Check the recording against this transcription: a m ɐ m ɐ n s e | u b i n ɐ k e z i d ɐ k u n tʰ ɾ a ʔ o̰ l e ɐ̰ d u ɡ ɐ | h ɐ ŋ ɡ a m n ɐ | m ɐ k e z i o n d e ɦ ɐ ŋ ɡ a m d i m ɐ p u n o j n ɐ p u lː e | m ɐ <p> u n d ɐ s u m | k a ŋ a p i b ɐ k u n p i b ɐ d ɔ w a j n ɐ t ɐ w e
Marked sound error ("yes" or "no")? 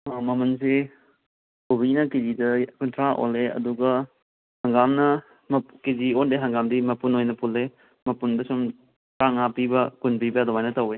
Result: no